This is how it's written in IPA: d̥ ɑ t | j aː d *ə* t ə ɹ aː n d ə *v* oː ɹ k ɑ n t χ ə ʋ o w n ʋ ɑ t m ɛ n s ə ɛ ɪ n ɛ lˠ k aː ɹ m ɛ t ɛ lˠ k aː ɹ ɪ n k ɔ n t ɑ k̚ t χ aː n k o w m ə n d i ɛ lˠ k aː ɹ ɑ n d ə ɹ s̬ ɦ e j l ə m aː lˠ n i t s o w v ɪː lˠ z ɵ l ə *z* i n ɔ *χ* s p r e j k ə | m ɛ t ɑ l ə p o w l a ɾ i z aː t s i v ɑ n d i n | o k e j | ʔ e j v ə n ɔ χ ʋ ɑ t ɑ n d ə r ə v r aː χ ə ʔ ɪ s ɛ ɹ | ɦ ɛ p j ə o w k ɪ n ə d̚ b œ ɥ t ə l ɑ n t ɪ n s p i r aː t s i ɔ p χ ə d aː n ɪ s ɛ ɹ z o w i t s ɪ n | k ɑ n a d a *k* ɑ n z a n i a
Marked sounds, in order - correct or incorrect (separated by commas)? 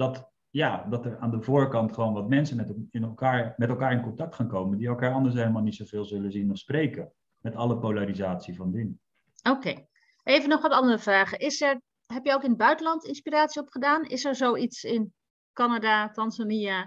incorrect, correct, correct, incorrect, incorrect